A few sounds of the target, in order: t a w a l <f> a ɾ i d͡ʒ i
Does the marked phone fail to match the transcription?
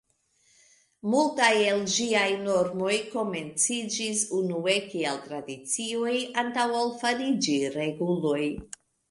no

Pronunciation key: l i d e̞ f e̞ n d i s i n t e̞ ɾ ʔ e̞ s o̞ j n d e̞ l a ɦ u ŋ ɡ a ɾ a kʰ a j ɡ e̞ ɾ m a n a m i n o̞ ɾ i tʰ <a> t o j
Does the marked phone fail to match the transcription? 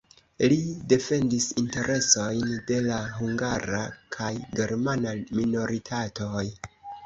no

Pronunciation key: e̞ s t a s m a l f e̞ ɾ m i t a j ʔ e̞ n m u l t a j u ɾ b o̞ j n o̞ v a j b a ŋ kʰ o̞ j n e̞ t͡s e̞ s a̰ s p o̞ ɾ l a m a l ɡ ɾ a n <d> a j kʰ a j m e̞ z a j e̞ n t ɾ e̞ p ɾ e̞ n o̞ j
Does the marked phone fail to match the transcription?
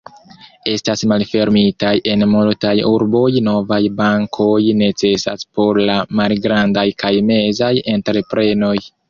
no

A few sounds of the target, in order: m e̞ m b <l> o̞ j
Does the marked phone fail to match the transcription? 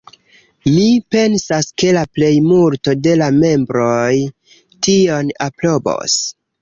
yes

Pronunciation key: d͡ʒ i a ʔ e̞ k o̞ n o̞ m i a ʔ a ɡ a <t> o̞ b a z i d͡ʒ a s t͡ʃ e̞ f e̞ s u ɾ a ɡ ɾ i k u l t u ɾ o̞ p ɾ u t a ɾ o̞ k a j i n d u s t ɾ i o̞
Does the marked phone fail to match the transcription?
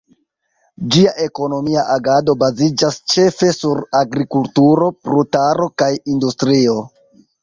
yes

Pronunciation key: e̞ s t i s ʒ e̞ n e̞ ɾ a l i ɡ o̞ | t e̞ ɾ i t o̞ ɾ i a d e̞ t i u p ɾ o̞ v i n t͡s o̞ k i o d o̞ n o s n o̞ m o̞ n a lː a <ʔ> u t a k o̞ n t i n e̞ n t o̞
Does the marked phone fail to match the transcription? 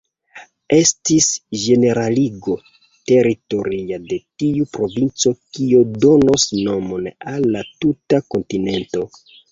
yes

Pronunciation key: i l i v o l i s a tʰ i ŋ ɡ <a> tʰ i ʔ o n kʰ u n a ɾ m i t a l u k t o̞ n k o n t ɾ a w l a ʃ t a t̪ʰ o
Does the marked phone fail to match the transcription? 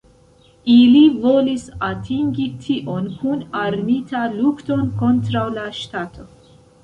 yes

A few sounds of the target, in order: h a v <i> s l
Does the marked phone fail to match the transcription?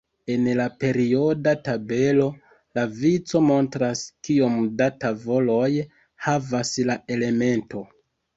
yes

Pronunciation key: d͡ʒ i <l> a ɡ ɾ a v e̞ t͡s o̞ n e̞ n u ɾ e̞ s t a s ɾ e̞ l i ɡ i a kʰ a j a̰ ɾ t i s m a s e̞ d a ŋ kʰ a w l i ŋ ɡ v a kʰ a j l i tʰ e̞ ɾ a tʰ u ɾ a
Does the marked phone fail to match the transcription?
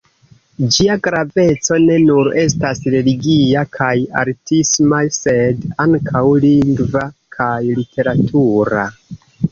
yes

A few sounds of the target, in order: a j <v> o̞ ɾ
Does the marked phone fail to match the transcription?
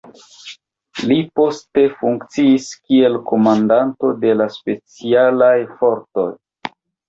yes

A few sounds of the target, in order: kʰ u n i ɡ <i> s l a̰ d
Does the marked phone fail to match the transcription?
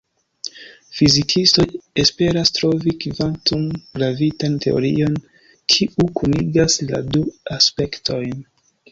yes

